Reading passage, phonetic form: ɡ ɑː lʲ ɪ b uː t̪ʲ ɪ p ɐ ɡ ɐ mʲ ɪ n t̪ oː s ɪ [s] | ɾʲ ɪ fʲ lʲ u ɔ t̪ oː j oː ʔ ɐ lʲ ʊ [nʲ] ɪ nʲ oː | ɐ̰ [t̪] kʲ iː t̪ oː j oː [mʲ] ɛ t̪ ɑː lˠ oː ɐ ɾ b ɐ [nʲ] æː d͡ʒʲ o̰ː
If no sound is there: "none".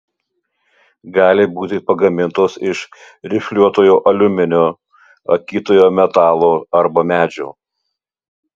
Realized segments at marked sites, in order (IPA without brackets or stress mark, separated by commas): ʃ, mʲ, none, mʲ, mʲ